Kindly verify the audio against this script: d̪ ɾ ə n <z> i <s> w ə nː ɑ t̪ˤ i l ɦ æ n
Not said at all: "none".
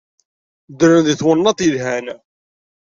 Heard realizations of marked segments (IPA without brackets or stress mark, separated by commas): ð, θ